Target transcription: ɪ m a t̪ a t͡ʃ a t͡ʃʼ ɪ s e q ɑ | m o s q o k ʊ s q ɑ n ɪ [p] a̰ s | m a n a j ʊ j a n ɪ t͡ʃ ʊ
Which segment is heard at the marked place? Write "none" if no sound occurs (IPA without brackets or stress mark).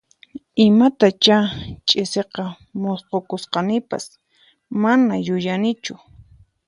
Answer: p